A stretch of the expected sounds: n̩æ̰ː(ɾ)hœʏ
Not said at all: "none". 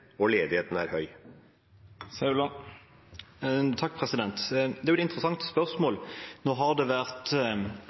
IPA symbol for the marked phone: ɾ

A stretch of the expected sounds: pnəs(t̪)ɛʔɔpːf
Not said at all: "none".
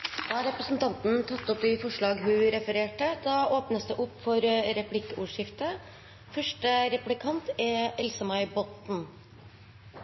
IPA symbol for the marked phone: d̪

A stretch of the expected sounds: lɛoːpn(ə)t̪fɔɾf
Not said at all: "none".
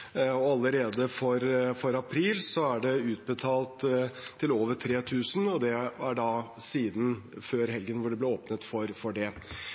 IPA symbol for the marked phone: ə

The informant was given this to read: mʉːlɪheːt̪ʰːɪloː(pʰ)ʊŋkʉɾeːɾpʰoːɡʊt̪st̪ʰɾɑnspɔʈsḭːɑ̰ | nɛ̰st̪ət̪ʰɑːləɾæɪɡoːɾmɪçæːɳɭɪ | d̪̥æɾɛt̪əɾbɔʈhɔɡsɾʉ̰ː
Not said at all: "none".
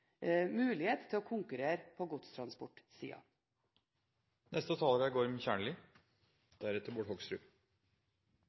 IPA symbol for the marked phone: kʰ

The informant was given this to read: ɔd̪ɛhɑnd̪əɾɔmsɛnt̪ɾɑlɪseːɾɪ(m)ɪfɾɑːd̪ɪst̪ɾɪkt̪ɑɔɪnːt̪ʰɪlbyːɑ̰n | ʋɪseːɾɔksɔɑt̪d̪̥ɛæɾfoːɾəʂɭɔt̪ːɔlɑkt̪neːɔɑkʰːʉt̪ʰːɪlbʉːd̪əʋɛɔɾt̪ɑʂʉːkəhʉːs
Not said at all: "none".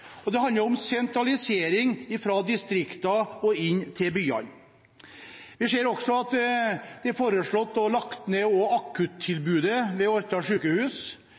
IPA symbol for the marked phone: ŋ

